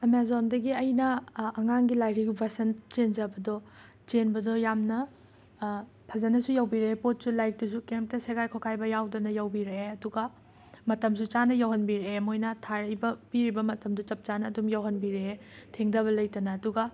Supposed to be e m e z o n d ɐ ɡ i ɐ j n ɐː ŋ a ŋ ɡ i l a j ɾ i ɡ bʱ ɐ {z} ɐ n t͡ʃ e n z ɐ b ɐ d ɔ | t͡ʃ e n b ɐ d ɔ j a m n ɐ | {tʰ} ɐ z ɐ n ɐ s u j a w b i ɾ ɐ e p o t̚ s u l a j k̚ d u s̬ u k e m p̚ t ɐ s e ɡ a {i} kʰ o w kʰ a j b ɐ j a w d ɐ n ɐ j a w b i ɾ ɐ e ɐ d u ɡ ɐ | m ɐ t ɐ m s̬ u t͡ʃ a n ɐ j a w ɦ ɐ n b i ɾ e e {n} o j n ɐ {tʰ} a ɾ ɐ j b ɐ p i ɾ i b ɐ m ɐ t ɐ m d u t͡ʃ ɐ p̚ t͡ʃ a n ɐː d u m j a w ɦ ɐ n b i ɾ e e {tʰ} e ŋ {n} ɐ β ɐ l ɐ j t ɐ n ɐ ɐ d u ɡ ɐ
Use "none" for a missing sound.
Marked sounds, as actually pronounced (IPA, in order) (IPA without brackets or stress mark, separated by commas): s, pʰ, j, m, tʰ, tʰ, d